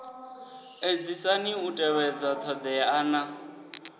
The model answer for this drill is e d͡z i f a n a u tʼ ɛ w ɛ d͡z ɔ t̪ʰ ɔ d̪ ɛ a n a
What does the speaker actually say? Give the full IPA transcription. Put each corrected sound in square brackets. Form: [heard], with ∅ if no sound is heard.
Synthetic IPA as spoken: e d͡z i [s] a n [i] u tʼ ɛ w ɛ d͡z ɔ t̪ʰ ɔ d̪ ɛ a n a